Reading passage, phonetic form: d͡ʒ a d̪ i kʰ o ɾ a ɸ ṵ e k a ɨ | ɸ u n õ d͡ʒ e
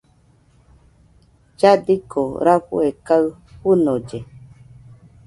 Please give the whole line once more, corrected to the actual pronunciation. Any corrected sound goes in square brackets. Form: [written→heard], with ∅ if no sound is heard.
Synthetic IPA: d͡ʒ a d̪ i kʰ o ɾ a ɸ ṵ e k a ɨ | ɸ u n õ d͡ʒ e

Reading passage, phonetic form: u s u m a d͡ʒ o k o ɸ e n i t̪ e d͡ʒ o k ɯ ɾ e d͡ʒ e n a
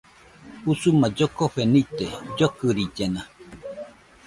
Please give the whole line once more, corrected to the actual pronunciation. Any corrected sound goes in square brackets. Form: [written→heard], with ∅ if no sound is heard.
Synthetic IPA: u s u m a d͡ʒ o k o ɸ e n i t̪ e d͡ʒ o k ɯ ɾ [e→i] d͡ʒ e n a

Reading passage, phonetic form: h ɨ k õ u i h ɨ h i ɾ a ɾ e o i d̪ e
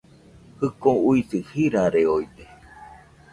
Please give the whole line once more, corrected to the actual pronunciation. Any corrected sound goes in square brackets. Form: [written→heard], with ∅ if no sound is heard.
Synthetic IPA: h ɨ k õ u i [h→s] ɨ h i ɾ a ɾ e o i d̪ e

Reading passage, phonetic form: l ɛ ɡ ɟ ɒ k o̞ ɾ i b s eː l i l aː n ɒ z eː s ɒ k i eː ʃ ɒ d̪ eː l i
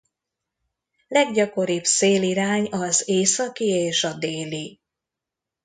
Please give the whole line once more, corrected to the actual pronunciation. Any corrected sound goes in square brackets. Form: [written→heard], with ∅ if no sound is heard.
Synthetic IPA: l ɛ ɡ ɟ ɒ k o̞ ɾ i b s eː l i [l→ɾ] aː [n→ɲ] ɒ z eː s ɒ k i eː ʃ ɒ d̪ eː l i

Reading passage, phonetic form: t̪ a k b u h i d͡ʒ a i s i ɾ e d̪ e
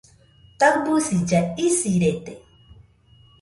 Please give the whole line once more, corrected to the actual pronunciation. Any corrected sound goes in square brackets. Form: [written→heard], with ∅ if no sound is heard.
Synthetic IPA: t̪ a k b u [h→s] i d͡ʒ a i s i ɾ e [d̪→t̪] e

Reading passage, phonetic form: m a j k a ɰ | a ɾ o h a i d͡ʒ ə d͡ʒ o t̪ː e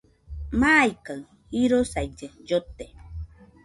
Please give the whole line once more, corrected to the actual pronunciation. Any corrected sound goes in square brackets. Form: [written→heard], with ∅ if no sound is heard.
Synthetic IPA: m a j k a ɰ | [a→i] ɾ o [h→s] a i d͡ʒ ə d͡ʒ o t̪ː e

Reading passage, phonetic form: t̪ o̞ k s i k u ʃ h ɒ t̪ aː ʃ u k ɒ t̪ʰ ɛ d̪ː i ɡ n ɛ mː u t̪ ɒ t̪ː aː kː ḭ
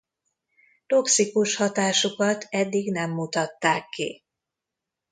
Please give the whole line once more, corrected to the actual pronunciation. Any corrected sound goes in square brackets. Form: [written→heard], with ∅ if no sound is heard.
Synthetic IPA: t̪ o̞ k s i k u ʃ h ɒ t̪ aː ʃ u k ɒ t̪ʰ ɛ d̪ː i ɡ n ɛ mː u t̪ ɒ t̪ː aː kː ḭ

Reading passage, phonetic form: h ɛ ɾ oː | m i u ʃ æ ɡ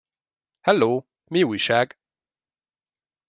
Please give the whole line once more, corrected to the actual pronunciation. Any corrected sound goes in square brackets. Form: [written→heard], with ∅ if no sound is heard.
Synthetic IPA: h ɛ [ɾ→l] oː | m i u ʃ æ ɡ

